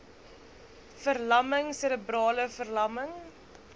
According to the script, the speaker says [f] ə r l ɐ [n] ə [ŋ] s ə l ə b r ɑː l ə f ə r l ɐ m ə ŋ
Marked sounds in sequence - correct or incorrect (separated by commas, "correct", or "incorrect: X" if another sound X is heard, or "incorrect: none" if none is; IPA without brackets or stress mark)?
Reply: correct, incorrect: m, correct